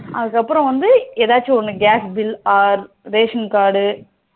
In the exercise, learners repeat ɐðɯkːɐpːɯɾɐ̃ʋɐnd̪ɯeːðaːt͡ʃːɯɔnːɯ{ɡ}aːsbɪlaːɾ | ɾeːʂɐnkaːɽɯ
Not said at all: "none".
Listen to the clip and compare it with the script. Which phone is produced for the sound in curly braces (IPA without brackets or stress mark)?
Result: ɡ